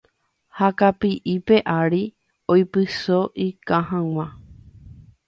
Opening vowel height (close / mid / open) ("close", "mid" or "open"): open